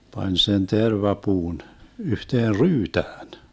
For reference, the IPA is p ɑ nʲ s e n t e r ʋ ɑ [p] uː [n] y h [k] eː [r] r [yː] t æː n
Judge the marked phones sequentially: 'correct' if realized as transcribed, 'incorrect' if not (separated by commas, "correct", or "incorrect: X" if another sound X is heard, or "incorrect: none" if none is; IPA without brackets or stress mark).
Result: correct, correct, incorrect: t, correct, correct